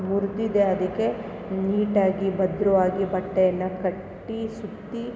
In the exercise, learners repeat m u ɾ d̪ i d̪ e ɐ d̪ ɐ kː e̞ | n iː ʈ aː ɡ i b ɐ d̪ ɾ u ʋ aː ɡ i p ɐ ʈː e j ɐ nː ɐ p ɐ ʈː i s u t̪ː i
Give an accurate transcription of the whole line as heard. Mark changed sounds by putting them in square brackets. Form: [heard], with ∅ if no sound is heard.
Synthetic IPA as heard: m u ɾ d̪ i d̪ e ɐ d̪ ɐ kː e̞ | n iː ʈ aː ɡ i b ɐ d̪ ɾ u ʋ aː ɡ i [b] ɐ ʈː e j ɐ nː ɐ [k] ɐ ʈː i s u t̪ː i

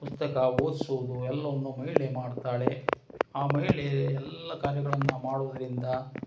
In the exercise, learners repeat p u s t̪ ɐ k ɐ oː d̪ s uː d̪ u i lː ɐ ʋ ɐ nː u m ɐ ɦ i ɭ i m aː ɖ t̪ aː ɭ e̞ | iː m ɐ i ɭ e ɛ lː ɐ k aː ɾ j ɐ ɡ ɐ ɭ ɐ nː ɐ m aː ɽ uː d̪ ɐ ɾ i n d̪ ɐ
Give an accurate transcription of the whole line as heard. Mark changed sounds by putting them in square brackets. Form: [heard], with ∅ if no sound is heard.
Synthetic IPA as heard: p u s t̪ ɐ k ɐ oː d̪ s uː d̪ u [ɛ] lː ɐ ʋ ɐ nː u m ɐ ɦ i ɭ [e] m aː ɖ t̪ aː ɭ e̞ | [aː] m ɐ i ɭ e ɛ lː ɐ k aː ɾ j ɐ ɡ ɐ ɭ ɐ nː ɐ m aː ɽ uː d̪ ɐ ɾ i n d̪ ɐ

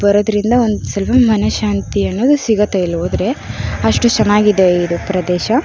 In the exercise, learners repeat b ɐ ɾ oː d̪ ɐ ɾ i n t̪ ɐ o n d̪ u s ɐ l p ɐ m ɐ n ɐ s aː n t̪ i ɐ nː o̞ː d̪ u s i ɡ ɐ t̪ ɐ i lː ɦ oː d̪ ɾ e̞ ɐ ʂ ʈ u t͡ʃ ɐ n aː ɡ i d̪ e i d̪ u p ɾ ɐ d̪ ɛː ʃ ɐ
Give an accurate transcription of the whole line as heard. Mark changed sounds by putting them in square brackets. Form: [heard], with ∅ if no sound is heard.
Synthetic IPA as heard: b ɐ ɾ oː d̪ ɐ ɾ i n [d̪] ɐ o n d̪ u s ɐ l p ɐ m ɐ n ɐ [ʃ] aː n t̪ i ɐ nː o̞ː d̪ u s i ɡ ɐ t̪ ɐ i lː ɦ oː d̪ ɾ e̞ ɐ ʂ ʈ u t͡ʃ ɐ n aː ɡ i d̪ e i d̪ u p ɾ ɐ d̪ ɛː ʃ ɐ

